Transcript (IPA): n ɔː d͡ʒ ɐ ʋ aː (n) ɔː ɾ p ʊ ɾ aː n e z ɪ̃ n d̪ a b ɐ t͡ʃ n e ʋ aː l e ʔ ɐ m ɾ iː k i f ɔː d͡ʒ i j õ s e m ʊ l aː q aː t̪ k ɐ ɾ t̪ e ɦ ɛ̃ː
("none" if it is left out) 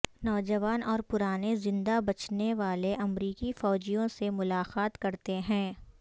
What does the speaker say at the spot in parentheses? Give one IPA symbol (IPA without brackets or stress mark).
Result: n